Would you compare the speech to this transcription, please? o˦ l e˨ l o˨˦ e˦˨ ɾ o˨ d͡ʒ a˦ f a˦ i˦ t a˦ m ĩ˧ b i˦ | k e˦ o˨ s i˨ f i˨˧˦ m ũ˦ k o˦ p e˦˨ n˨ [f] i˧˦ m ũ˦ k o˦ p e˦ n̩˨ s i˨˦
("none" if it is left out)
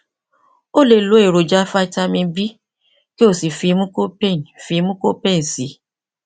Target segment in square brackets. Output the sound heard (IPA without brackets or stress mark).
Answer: f